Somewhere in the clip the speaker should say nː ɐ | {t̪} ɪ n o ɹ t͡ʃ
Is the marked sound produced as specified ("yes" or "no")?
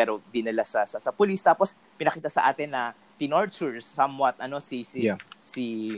yes